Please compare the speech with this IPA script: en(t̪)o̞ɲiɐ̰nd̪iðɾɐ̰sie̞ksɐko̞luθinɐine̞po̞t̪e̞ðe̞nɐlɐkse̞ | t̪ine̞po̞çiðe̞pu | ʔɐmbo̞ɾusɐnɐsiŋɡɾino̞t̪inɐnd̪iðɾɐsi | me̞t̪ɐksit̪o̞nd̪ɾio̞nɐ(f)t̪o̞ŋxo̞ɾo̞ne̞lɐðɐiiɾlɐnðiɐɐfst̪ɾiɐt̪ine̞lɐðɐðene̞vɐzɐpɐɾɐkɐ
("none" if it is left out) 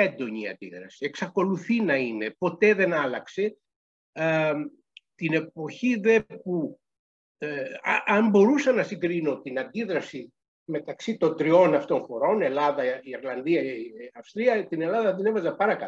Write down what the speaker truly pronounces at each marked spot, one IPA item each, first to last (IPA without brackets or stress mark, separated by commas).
d̪, f